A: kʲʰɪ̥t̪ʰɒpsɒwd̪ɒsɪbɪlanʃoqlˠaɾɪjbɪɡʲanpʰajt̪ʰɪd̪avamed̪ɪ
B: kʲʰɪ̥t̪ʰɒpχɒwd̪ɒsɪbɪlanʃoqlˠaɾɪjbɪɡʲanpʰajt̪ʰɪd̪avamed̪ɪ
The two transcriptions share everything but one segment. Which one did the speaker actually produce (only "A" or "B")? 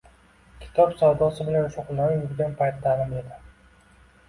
A